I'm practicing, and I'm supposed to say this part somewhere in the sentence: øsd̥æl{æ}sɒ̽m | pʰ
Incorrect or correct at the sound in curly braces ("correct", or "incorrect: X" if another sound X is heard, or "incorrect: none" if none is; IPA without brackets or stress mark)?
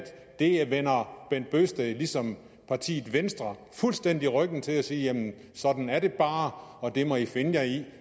incorrect: i